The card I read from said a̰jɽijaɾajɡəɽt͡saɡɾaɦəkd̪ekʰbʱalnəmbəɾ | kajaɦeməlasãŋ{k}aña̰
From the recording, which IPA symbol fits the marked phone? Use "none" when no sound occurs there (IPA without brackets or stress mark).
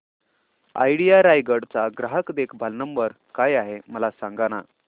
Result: ɡ